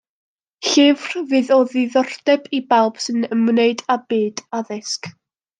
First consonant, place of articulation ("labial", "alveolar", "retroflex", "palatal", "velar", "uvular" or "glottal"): alveolar